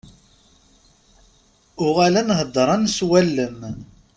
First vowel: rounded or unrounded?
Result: rounded